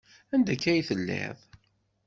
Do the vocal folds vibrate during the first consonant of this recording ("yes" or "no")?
yes